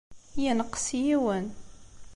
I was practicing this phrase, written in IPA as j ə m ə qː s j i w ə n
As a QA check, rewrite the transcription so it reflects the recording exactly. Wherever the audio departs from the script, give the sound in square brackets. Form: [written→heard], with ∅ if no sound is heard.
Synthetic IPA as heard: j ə [m→n] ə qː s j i w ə n